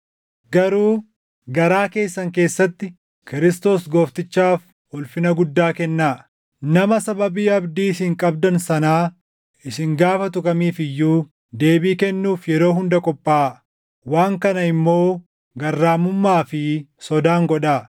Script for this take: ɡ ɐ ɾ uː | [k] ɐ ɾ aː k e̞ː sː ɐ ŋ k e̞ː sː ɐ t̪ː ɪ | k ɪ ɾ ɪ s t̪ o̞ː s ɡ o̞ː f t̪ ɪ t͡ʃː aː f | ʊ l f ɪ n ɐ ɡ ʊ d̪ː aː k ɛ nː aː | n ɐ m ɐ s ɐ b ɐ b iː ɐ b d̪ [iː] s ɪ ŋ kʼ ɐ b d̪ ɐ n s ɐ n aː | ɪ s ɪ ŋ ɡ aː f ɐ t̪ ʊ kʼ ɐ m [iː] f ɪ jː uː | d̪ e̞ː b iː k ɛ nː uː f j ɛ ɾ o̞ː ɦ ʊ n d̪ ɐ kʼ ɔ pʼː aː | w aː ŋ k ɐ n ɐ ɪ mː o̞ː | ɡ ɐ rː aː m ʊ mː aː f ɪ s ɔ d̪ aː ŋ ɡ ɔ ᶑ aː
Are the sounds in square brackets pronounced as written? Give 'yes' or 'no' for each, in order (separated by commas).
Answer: no, yes, yes